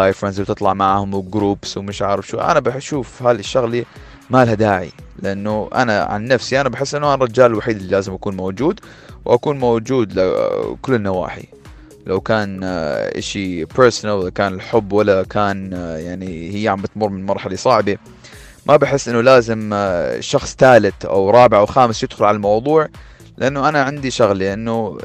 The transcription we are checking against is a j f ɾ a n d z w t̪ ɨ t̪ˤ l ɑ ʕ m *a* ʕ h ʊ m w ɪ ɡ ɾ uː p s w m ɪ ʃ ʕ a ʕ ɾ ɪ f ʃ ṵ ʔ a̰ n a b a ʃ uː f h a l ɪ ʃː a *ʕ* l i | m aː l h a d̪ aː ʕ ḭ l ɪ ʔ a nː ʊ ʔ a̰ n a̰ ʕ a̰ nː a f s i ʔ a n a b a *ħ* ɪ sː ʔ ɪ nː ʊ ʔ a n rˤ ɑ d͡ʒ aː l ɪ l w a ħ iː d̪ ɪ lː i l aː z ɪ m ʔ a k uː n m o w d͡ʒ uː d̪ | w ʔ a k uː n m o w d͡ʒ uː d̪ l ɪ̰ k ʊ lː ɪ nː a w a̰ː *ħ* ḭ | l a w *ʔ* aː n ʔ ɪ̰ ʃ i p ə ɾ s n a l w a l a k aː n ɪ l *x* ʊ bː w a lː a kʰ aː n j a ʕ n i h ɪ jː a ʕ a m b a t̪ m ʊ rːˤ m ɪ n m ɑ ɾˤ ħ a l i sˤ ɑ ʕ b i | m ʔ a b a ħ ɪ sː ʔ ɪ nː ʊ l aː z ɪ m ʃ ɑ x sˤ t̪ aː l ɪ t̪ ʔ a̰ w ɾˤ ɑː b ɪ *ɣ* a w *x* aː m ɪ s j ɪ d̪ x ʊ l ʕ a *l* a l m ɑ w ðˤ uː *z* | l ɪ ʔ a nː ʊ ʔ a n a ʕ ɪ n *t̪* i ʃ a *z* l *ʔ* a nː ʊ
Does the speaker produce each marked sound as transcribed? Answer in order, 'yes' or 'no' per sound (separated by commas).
yes, no, yes, yes, no, no, no, yes, yes, no, no, no, yes